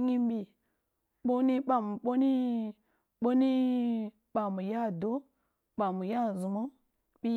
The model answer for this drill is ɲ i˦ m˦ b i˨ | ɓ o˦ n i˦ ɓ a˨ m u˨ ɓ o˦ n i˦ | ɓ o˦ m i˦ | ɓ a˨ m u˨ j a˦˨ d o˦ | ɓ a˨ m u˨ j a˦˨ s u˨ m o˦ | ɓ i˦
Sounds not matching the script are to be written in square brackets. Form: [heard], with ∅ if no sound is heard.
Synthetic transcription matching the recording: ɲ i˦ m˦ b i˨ | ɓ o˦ n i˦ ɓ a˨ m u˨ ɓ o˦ n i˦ | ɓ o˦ [n] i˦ | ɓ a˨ m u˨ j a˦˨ d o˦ | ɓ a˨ m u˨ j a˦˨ [z] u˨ m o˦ | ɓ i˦

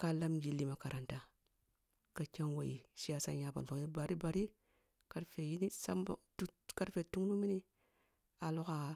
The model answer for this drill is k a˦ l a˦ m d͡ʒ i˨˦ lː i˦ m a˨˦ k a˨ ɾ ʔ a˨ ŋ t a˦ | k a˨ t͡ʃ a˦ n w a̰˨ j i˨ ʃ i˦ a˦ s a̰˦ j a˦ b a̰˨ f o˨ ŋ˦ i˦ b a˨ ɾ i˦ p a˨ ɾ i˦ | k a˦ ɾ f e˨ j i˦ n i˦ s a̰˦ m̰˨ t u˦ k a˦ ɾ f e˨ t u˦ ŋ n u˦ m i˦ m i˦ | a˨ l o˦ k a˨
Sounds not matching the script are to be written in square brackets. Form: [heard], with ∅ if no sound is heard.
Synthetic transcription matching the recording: k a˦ l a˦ m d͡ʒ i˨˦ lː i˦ m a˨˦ k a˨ ɾ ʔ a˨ [n] t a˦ | k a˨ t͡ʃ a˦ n w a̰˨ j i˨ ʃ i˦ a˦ s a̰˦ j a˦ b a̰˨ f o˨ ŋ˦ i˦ b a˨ ɾ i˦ [b] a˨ ɾ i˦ | k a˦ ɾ f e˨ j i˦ n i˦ s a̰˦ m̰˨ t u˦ k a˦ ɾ f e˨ t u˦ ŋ n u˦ m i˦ [n] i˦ | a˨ l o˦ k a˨

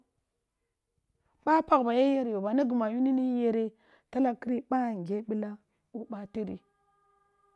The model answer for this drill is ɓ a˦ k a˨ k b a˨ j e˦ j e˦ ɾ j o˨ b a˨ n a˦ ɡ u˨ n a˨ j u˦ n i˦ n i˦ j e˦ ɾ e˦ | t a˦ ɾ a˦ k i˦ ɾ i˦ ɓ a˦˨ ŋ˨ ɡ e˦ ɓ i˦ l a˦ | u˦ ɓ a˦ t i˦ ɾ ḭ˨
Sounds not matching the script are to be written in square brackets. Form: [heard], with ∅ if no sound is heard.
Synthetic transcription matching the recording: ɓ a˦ [p] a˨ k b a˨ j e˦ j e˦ ɾ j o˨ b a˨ n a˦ ɡ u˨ [m] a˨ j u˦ n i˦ n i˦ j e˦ ɾ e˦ | t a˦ [l] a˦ k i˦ ɾ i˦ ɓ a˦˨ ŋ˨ ɡ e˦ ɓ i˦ l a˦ | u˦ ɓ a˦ t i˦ ɾ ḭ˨

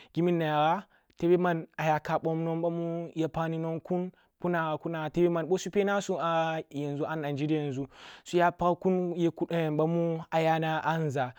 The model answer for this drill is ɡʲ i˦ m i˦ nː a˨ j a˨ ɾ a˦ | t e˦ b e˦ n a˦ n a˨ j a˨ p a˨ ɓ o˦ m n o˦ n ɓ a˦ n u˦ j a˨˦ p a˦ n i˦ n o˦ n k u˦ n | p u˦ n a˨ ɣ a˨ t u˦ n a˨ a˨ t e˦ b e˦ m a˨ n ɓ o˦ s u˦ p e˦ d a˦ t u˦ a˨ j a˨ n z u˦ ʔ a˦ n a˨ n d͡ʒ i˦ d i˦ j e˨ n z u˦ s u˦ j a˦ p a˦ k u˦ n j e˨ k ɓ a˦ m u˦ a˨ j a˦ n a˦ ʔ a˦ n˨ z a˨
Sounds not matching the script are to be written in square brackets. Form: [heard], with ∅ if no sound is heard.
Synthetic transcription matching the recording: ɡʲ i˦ m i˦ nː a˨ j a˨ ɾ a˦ | t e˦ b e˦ [m] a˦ n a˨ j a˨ [k] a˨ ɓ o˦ m n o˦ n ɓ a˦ [m] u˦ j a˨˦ p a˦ n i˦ n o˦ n k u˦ n | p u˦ n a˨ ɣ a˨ [k] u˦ n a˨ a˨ t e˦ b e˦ m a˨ n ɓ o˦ s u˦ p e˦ [n] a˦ [s] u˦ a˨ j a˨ n z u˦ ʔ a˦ n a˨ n d͡ʒ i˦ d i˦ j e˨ n z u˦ s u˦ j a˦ p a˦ k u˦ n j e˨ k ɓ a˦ m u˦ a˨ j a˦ n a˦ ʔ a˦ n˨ z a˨

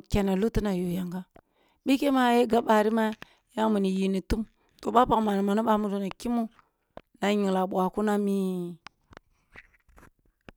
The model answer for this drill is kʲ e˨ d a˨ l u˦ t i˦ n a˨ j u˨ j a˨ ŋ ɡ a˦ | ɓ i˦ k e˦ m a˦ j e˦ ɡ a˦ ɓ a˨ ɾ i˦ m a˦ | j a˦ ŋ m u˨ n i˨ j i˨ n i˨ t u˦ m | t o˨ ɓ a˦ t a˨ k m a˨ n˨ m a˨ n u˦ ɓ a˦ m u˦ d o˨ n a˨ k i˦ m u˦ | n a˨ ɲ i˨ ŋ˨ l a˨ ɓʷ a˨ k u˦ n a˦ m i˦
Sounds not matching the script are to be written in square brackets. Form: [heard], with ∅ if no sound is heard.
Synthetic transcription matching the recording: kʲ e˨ [n] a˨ l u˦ t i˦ n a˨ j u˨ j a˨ ŋ ɡ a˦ | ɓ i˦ k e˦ m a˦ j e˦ ɡ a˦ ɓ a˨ ɾ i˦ m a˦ | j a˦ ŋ m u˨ n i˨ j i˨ n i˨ t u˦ m | t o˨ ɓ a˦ [p] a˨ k m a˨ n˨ m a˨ n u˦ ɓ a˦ m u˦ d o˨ n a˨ k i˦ m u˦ | n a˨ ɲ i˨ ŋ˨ l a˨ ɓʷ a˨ k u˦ n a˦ m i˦

